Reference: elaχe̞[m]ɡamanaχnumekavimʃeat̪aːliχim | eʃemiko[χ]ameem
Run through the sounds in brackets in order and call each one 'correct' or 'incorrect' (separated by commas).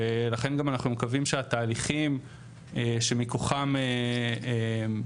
incorrect, correct